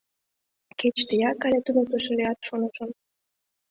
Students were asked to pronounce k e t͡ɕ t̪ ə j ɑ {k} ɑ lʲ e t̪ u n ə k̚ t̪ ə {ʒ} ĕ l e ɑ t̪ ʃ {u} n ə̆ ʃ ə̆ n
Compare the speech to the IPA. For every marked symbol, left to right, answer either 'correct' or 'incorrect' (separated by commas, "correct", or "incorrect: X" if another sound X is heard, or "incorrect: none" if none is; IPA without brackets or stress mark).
correct, incorrect: ʃ, incorrect: o